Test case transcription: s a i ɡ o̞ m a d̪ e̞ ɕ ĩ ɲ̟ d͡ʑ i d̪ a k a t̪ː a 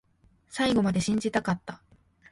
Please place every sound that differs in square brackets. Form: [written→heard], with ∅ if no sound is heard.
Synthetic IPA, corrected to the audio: s a i ɡ o̞ m a d̪ e̞ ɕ ĩ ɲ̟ d͡ʑ i [d̪→t̪] a k a t̪ː a